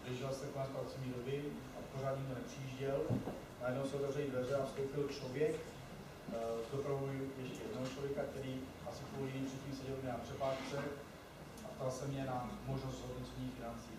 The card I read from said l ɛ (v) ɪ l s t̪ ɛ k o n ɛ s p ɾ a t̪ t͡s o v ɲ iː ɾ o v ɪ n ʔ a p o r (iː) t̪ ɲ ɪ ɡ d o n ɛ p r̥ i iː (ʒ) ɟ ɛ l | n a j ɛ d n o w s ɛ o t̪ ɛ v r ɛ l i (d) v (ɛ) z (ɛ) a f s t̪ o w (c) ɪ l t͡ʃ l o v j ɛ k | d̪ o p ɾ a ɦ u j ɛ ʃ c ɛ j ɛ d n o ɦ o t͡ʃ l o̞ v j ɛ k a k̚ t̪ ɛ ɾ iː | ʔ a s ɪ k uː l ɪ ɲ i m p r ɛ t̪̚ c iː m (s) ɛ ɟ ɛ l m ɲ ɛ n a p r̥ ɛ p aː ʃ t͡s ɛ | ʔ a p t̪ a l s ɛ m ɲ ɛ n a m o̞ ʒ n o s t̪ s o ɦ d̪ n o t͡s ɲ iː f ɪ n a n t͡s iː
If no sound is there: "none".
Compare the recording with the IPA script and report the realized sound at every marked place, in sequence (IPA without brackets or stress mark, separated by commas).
ʒ, aː, ʒ, d, ɛ, ɛ, p, s